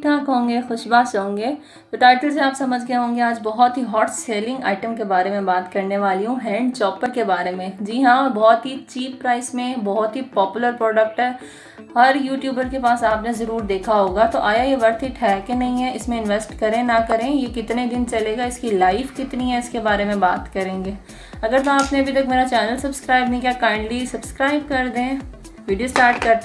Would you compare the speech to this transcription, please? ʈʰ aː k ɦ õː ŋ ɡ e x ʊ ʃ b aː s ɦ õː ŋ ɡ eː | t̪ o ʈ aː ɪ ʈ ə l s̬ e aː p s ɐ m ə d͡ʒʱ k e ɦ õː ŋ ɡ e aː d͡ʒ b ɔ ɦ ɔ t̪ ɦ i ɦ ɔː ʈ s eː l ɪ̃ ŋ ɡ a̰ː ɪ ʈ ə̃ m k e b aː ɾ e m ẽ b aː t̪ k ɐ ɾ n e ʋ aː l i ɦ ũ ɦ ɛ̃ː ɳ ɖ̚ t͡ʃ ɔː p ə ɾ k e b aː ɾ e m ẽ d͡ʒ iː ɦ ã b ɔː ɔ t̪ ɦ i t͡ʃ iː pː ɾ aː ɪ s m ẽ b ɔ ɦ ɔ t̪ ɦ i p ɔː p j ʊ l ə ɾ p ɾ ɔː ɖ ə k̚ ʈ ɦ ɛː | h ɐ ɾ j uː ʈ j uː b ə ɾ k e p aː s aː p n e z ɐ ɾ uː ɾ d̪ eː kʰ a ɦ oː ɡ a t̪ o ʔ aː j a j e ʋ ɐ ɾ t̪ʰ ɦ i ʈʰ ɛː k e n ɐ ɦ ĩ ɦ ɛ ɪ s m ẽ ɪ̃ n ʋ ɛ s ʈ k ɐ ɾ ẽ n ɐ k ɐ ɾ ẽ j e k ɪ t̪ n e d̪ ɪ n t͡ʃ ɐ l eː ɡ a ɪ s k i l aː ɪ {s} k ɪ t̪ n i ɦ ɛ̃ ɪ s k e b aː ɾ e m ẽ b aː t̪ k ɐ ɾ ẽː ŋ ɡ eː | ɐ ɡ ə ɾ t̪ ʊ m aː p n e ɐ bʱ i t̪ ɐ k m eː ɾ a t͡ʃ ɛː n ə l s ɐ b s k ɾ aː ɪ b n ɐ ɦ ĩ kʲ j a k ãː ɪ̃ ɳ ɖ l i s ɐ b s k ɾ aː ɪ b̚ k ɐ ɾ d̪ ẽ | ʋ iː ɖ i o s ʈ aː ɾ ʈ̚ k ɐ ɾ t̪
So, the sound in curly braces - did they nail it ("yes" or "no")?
no